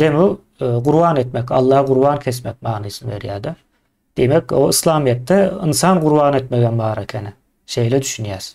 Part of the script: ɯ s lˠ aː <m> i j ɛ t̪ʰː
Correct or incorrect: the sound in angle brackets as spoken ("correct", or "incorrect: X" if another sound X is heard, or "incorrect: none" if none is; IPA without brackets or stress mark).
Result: correct